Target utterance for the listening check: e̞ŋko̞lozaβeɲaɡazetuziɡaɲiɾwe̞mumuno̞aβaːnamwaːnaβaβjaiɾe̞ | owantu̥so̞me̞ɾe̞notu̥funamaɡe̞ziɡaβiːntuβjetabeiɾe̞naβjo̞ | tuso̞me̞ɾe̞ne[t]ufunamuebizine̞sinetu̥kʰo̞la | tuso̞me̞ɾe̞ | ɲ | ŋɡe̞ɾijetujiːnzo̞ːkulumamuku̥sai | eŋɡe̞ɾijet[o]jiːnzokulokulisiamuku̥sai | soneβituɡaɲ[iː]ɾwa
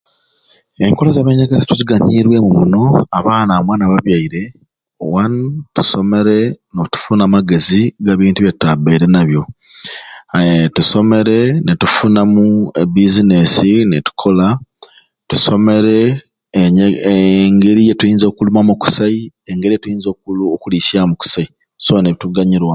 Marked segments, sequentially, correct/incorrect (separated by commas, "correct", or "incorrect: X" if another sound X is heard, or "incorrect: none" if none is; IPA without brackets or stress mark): correct, incorrect: u, incorrect: i